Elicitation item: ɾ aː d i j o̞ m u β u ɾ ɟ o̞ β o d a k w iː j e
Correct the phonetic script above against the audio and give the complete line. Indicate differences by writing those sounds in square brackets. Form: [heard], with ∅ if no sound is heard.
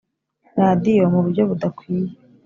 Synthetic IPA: ɾ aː d i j o̞ m u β u ɾ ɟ o̞ β [u] d a k w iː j e